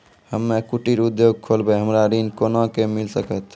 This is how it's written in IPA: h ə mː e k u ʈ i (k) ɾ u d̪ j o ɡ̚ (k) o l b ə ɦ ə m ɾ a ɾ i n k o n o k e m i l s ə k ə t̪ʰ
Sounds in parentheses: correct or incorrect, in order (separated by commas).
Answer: incorrect, incorrect